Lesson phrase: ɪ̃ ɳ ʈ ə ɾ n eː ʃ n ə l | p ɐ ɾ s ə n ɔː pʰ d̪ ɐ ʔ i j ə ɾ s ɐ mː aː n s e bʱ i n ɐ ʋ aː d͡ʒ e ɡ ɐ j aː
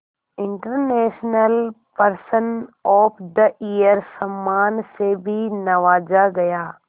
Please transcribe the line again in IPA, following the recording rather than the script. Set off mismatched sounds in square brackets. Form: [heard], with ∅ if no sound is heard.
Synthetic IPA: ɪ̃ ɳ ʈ ə ɾ n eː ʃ n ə l | p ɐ ɾ s ə n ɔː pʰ d̪ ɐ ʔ i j ə ɾ s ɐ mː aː n s e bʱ i n ɐ ʋ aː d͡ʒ [a] ɡ ɐ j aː

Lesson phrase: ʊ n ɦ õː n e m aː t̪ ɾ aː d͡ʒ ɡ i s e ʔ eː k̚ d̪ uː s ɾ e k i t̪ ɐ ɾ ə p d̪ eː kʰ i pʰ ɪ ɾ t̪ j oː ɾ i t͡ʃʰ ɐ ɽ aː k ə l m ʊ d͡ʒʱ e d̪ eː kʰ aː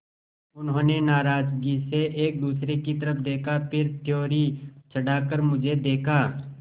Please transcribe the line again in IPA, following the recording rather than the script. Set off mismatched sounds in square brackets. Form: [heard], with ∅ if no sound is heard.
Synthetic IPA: ʊ n ɦ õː n e [n] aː [∅] ɾ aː d͡ʒ ɡ i s e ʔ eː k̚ d̪ uː s ɾ e k i t̪ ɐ ɾ ə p d̪ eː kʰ [a] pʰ ɪ ɾ t̪ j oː ɾ i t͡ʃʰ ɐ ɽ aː k ə [ɾ] m ʊ d͡ʒʱ e d̪ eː kʰ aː

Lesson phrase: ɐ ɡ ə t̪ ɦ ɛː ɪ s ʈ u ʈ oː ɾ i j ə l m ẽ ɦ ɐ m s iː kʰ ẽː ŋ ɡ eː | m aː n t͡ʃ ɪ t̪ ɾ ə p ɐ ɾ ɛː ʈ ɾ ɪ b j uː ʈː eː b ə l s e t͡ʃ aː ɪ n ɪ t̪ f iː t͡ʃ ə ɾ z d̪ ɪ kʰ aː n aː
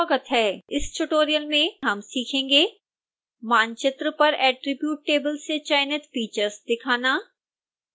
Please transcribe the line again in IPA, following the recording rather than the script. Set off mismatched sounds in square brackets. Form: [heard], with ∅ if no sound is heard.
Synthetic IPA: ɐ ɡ ə t̪ ɦ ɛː ɪ s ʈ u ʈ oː ɾ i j ə l m ẽ ɦ ɐ m s iː kʰ ẽː ŋ ɡ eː | m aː n t͡ʃ ɪ t̪ ɾ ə p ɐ ɾ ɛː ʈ ɾ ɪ b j uː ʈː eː b ə l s e t͡ʃ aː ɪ n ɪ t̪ f iː t͡ʃ ə ɾ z d̪ ɪ kʰ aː n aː

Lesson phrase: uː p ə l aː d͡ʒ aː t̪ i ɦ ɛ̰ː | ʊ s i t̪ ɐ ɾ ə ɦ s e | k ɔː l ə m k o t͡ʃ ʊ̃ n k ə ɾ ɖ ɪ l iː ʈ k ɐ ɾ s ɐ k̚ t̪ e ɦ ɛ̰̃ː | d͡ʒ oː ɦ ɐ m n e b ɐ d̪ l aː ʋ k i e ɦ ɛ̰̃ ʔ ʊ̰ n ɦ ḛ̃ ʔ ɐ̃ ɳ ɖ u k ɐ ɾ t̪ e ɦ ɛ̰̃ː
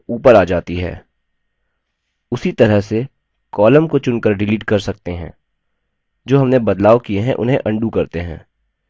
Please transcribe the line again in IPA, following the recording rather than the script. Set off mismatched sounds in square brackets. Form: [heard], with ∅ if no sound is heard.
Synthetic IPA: uː p ə [ɾ] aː d͡ʒ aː t̪ i ɦ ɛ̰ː | ʊ s i t̪ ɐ ɾ ə ɦ s e | k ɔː l ə m k o t͡ʃ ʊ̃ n k ə ɾ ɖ ɪ l iː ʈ k ɐ ɾ s ɐ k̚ t̪ e ɦ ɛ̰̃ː | d͡ʒ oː ɦ ɐ m n e b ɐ d̪ l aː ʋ k i e ɦ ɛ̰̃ ʔ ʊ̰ n ɦ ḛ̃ ʔ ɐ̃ ɳ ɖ u k ɐ ɾ t̪ e ɦ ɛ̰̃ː

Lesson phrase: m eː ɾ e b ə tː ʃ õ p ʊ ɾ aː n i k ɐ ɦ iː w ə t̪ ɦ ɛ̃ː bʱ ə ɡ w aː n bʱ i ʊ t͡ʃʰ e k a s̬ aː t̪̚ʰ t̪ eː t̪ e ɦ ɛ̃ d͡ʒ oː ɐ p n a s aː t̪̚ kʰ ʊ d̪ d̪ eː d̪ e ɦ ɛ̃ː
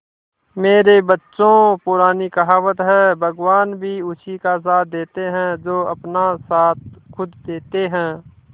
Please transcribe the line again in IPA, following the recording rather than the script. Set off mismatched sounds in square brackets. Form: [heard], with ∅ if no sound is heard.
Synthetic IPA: m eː ɾ e b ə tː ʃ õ p ʊ ɾ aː n i k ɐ ɦ [aː] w ə t̪ ɦ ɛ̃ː bʱ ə ɡ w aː n bʱ i ʊ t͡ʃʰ [i] k a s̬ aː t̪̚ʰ [d̪] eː t̪ e ɦ ɛ̃ d͡ʒ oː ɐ p n a s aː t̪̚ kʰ ʊ d̪ d̪ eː [t̪] e ɦ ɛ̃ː

